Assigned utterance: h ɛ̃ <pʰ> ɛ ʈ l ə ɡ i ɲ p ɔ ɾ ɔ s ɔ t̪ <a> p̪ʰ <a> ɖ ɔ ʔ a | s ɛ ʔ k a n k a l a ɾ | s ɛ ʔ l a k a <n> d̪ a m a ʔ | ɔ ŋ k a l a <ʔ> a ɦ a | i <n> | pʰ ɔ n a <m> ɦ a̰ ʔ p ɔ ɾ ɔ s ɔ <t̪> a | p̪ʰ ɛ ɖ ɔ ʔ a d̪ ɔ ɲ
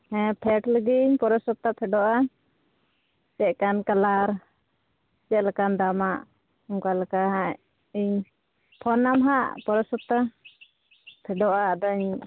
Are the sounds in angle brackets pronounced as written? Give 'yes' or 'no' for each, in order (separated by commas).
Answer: yes, yes, no, yes, no, no, yes, yes